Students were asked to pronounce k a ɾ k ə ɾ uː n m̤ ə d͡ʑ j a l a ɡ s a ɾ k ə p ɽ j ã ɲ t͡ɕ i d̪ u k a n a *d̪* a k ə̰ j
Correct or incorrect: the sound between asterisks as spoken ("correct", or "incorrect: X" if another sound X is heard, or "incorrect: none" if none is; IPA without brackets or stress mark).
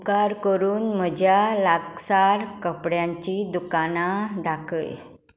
correct